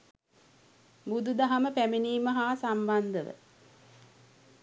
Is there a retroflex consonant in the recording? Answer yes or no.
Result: no